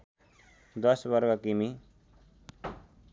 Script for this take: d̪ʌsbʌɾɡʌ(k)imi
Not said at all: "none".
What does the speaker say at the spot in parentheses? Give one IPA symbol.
k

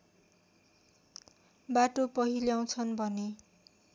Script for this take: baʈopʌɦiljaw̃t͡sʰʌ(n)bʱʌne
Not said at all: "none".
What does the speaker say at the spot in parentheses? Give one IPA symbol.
n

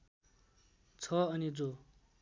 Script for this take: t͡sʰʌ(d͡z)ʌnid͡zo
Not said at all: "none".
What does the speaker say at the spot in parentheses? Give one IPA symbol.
none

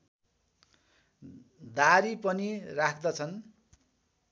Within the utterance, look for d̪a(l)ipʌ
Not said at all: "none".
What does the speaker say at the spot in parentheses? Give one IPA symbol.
ɾ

